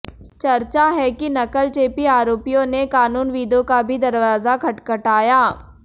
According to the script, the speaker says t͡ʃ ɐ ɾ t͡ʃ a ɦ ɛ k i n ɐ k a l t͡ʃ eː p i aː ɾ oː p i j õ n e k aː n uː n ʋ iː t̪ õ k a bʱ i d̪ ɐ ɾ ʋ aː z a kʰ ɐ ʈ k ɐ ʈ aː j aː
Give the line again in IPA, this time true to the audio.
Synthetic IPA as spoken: t͡ʃ ɐ ɾ t͡ʃ a ɦ ɛ k i n ɐ k ə l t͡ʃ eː p i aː ɾ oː p i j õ n e k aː n uː n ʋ iː d̪ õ k a bʱ i d̪ ɐ ɾ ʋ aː z a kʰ ɐ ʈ k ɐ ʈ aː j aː